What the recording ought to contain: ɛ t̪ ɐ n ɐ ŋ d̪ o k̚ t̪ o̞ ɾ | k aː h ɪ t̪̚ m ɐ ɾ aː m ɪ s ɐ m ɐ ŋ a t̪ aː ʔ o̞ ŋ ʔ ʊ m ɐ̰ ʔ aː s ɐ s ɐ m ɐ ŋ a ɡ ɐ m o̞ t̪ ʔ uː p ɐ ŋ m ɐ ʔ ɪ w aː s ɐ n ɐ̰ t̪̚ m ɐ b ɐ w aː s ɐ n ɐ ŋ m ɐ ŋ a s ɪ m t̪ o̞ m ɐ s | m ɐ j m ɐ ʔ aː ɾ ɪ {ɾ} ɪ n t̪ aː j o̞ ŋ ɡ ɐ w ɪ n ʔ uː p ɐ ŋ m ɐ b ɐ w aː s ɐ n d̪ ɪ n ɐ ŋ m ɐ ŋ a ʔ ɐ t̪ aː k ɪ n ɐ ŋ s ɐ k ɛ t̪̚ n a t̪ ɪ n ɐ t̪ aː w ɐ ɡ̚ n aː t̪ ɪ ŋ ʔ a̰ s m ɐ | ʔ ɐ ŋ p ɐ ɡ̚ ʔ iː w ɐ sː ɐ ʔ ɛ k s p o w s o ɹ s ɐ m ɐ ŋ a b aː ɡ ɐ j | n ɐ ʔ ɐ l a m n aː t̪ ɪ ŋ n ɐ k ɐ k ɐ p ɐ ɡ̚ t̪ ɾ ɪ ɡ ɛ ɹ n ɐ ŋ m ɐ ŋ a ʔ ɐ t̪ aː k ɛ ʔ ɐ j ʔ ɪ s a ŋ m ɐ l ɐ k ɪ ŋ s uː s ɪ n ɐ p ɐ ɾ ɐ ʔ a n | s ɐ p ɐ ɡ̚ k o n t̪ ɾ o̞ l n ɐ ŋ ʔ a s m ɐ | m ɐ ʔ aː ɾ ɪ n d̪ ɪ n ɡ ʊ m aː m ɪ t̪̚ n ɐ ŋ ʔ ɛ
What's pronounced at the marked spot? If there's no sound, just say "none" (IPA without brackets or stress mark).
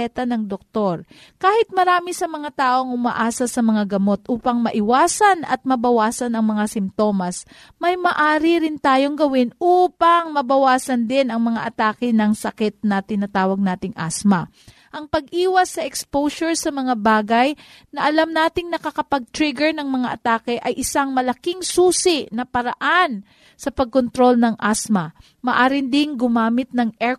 ɾ